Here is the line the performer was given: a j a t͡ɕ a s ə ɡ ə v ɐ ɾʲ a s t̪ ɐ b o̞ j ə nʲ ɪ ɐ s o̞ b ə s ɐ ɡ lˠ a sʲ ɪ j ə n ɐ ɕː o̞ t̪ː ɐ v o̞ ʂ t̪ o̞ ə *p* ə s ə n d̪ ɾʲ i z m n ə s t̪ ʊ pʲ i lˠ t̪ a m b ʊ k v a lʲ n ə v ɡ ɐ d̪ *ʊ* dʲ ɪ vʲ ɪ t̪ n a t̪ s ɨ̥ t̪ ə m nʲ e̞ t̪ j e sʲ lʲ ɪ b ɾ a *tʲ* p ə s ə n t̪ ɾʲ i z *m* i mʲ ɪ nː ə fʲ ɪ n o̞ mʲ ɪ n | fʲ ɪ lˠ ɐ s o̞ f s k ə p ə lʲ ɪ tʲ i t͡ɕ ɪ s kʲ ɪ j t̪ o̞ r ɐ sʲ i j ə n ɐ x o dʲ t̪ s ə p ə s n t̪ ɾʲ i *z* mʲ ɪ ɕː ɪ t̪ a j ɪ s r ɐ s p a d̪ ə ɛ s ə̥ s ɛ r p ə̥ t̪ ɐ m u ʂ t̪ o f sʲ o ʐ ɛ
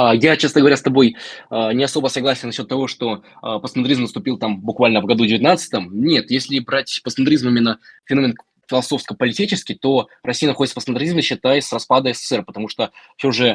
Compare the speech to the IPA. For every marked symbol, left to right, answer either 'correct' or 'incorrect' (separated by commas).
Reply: correct, incorrect, correct, correct, correct